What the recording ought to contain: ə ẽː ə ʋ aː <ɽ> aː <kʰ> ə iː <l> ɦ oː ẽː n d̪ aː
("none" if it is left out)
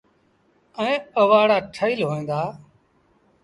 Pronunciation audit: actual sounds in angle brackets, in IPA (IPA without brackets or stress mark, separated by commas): ɽ, ʈʰ, l